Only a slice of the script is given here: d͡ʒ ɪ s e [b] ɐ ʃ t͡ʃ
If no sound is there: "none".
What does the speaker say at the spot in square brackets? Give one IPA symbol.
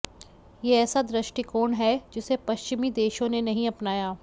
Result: p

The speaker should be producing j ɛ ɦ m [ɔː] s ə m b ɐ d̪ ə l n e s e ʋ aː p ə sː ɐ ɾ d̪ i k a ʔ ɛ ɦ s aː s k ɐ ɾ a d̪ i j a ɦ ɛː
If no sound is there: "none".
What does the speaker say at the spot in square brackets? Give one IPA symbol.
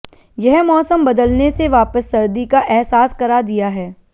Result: ɔː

